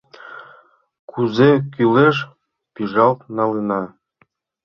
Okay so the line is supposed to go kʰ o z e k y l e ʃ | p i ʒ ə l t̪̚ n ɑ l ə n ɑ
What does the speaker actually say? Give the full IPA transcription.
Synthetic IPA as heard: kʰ u z e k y l e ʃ | p i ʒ ɑ l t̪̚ n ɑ l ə n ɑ